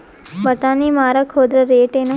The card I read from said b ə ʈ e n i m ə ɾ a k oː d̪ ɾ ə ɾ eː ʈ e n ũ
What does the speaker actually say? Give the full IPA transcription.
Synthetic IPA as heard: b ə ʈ a n i m a ɾ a kʰ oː d̪ ɾ ə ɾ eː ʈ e n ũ